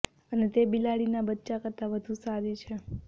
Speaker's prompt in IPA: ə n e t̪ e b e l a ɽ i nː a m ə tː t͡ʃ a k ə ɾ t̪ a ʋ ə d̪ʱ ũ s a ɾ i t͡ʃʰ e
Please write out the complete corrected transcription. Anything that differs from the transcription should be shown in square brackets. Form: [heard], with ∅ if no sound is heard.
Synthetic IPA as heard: ə n e t̪ e b [i] l a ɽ i [n] a [b] ə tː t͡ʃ a k ə ɾ t̪ a ʋ ə d̪ʱ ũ s a ɾ i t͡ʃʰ e